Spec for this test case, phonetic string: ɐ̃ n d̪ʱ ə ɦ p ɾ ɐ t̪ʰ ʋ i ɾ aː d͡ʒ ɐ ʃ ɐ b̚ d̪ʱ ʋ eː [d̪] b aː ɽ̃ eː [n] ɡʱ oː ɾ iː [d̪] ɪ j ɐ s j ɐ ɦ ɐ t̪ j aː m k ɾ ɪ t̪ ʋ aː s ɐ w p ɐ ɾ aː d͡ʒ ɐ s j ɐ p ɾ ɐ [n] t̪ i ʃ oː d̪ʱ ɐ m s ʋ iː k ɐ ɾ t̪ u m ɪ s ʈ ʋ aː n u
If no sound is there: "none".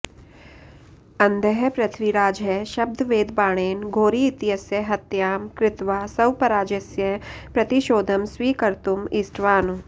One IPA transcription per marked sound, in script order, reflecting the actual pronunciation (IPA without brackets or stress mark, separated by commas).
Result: d̪, n, t̪, none